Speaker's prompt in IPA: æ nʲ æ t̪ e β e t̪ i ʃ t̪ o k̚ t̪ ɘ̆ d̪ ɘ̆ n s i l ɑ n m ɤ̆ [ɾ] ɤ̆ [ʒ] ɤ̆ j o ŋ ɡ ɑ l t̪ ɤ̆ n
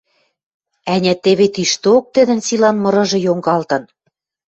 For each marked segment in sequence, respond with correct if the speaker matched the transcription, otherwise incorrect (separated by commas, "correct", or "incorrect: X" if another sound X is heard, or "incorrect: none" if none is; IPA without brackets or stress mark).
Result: correct, correct